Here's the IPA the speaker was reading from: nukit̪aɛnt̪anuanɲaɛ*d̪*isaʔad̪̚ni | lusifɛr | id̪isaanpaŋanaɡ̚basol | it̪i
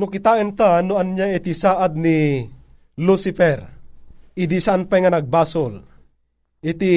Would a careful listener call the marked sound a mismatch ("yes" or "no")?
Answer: yes